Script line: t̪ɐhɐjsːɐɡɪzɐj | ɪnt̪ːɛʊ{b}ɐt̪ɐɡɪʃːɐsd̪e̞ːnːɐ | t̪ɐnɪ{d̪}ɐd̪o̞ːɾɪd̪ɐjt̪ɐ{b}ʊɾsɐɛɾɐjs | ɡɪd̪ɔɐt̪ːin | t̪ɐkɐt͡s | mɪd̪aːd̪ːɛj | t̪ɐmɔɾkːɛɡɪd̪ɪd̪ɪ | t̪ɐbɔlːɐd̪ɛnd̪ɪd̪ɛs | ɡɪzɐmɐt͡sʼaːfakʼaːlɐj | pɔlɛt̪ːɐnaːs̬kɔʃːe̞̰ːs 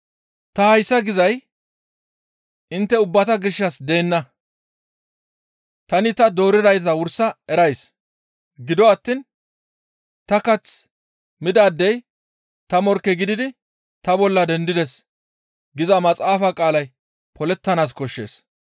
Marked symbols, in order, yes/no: no, no, no

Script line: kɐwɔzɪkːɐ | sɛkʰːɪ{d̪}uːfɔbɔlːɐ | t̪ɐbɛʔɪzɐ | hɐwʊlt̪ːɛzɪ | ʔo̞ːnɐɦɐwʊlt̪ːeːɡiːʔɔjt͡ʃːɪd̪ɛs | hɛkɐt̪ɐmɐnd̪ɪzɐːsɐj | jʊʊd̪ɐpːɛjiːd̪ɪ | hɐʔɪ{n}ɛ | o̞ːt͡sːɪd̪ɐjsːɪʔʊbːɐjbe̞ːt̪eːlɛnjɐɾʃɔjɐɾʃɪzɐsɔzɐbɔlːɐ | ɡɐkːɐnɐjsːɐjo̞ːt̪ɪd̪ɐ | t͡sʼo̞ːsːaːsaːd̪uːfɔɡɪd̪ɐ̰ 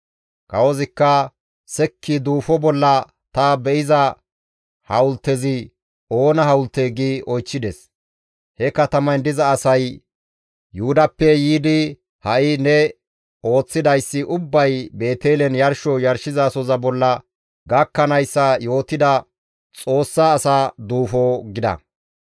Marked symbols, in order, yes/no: yes, yes

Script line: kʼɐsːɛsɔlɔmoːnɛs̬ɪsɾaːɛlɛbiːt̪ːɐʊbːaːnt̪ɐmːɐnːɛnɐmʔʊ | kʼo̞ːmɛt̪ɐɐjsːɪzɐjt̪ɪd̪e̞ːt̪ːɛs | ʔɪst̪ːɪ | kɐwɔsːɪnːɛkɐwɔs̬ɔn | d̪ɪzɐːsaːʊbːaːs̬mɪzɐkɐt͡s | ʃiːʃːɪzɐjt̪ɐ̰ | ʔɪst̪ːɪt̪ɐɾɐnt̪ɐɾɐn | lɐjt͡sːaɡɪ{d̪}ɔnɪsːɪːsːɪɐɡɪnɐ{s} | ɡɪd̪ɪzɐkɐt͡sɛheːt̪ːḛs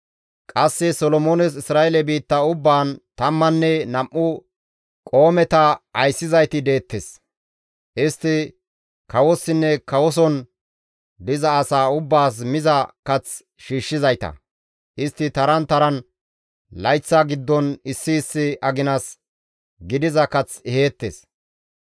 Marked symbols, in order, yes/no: no, yes

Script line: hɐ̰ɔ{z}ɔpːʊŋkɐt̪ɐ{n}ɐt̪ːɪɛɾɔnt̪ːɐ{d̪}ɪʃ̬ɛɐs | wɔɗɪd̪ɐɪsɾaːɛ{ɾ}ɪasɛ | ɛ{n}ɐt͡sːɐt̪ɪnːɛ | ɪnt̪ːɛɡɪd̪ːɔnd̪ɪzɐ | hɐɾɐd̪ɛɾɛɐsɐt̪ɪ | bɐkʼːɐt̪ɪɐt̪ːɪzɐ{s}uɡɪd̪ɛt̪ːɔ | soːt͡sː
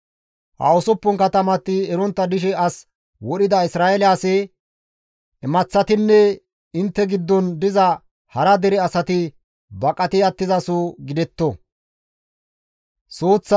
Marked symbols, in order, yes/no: no, no, yes, no, no, yes

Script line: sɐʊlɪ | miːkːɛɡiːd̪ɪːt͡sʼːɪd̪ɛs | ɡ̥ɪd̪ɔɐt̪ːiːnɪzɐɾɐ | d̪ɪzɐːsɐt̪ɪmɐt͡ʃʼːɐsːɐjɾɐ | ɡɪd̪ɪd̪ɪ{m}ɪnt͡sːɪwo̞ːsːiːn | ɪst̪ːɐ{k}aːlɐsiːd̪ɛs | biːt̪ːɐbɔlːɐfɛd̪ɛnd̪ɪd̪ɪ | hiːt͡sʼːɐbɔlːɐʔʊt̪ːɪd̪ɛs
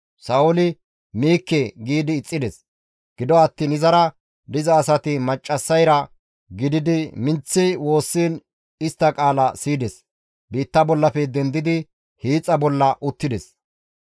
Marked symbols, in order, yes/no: yes, no

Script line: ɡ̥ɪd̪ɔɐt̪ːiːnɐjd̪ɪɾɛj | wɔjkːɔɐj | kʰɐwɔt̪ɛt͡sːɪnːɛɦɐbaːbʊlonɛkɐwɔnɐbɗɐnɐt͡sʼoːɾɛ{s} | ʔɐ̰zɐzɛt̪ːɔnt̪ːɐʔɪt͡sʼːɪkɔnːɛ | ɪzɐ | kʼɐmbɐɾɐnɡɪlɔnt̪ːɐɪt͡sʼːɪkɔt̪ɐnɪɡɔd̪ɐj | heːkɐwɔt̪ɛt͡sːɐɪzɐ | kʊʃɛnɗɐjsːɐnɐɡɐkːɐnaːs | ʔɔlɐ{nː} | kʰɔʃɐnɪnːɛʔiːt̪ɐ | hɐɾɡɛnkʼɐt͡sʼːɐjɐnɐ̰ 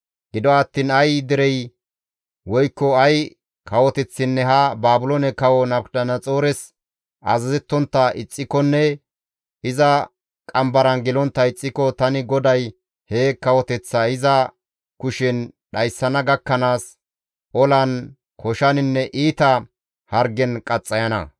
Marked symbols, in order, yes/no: yes, no

